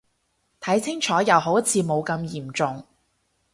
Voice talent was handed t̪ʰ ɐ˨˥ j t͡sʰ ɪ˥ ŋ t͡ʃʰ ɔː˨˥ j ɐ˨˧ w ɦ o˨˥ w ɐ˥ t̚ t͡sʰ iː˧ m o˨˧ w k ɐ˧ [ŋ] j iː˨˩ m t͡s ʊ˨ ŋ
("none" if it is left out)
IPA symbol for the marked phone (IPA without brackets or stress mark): m